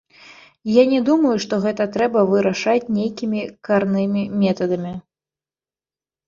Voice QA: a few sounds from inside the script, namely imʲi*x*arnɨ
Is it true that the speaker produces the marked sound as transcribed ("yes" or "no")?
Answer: no